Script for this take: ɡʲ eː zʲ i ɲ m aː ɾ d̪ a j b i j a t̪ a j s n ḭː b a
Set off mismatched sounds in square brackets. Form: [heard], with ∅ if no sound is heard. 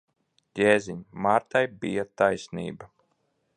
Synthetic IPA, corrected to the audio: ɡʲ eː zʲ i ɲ m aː ɾ [t̪] a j b i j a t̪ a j s n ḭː b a